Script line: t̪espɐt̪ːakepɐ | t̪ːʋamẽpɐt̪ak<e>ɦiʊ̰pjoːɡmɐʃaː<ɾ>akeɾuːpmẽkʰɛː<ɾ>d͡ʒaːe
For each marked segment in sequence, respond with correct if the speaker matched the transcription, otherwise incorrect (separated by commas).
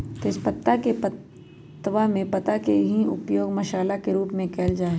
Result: correct, incorrect, incorrect